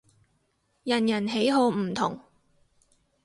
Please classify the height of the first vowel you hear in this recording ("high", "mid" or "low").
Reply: low